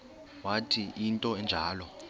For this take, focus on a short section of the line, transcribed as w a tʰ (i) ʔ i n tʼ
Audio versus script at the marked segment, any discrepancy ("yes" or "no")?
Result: no